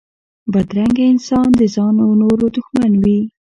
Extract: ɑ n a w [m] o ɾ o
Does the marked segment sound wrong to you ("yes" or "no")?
yes